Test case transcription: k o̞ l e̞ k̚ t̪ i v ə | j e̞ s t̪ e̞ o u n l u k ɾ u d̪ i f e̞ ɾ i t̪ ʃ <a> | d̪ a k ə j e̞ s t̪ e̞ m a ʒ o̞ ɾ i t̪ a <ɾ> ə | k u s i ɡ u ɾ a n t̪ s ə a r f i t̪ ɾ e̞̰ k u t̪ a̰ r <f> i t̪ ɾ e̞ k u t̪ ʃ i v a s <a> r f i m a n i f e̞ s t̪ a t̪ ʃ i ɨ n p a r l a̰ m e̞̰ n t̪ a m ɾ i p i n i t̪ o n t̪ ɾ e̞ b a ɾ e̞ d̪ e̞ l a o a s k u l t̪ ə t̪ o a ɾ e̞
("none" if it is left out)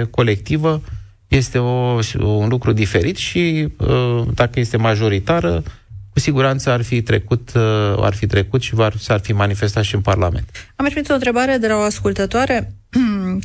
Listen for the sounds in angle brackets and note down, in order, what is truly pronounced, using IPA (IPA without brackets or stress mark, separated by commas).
i, ɾ, f, a